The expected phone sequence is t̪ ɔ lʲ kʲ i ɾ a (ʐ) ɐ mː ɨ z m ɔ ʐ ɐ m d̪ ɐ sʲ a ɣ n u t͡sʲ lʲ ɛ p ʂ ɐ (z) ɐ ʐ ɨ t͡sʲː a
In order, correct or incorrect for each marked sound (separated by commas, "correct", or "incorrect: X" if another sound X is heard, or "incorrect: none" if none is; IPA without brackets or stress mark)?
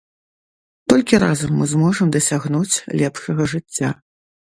incorrect: z, incorrect: ɣ